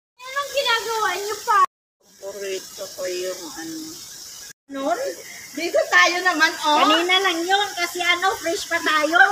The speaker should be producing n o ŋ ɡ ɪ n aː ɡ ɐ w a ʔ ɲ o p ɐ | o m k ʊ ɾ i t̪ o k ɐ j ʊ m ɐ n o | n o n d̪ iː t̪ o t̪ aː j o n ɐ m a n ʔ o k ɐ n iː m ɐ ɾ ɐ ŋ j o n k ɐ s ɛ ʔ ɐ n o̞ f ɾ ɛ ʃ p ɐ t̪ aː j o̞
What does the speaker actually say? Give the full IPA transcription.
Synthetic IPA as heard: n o ŋ ɡ ɪ n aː ɡ ɐ w a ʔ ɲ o p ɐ | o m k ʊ ɾ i t̪ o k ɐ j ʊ ŋ ɐ n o | n o n d̪ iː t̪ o t̪ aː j o n ɐ m a n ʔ o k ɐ n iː n ɐ l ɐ ŋ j o n k ɐ s ɛ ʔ ɐ n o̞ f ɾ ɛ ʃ p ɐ t̪ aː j o̞